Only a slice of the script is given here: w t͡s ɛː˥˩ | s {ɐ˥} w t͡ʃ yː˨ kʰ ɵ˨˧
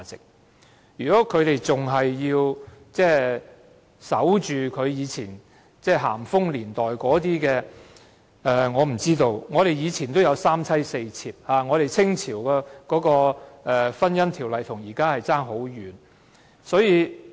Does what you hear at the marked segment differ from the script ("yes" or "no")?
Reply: yes